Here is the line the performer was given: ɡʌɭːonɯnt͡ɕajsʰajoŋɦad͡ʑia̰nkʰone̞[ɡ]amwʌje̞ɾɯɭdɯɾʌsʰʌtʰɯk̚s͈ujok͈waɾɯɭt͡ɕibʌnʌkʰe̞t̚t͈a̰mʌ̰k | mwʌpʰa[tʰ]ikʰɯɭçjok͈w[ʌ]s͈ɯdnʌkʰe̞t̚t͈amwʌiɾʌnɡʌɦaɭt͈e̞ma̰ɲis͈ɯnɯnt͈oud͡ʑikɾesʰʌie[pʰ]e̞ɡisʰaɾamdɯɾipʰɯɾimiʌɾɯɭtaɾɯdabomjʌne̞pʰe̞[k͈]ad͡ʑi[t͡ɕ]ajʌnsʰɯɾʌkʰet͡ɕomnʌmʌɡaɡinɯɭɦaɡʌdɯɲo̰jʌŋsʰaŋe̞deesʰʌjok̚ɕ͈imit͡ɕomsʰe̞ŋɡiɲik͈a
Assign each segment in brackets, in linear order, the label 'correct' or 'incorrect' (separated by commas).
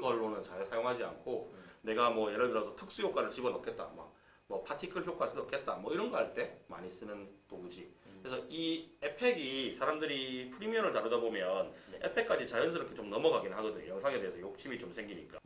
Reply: correct, correct, incorrect, correct, correct, correct